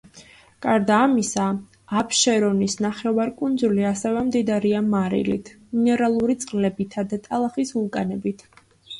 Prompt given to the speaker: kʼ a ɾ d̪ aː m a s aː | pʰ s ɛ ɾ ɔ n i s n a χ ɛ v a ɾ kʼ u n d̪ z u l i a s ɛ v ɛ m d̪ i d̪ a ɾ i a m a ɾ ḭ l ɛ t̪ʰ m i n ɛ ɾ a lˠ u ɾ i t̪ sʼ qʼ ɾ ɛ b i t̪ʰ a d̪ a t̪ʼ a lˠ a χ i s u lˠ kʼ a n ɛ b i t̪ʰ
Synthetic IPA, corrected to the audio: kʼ a ɾ d̪ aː m i s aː | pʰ ʃ ɛ ɾ ɔ n i s n a χ ɛ v a ɾ kʼ u n d̪ z u l i a s ɛ v ɛ m d̪ i d̪ a ɾ i a m a ɾ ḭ l i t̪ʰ m i n ɛ ɾ a lˠ u ɾ i t̪ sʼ qʼ l ɛ b i t̪ʰ a d̪ a t̪ʼ a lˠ a χ i s u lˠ kʼ a n ɛ b i t̪ʰ